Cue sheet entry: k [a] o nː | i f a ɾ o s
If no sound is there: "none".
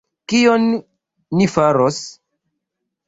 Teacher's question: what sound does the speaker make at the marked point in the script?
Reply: i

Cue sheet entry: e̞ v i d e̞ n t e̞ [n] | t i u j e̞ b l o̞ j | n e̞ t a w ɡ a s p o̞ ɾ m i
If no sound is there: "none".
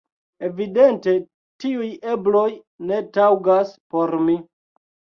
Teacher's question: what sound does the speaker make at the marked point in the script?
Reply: none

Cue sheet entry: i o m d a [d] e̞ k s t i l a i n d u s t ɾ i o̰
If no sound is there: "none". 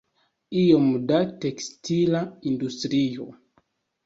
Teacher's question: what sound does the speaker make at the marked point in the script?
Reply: t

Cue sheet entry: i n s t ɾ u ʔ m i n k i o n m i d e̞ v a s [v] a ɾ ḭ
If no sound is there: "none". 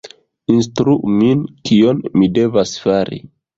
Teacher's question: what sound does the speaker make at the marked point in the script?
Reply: f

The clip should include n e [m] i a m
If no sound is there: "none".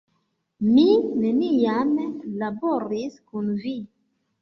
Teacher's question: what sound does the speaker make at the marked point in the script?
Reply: n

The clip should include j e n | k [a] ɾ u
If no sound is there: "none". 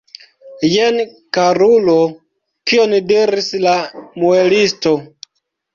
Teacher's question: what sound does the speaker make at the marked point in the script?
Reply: a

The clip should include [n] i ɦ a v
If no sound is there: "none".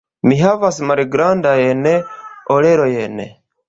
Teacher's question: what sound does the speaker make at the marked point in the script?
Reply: m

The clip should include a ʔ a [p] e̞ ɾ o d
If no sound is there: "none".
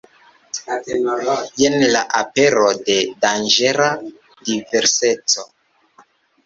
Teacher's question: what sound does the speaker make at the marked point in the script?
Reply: p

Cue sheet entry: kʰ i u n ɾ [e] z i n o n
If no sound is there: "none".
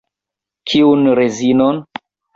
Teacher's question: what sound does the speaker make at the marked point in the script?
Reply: e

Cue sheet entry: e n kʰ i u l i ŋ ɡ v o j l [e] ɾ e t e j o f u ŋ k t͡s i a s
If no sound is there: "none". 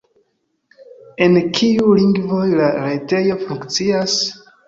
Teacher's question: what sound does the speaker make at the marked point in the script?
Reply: a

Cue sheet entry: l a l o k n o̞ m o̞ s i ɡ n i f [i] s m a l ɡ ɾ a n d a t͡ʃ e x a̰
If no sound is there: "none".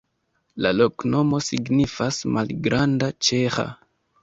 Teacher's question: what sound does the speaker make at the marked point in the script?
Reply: a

